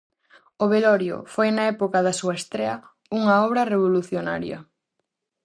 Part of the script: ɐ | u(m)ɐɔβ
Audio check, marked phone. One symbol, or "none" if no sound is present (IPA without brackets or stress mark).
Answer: ŋ